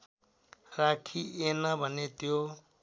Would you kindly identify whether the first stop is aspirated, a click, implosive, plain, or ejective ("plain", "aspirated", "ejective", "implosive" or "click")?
aspirated